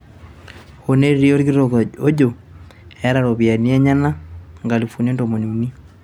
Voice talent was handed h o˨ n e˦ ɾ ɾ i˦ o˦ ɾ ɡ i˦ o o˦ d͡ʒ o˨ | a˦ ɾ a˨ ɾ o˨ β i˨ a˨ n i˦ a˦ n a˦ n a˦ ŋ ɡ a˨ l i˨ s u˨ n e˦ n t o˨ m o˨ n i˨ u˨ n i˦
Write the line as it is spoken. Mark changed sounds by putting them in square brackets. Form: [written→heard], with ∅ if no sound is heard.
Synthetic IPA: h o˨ n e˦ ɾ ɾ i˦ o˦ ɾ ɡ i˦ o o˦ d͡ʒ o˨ | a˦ ɾ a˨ ɾ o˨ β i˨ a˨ n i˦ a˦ [n→ɲ] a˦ n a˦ ŋ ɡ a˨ l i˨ [s→f] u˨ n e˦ n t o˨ m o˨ n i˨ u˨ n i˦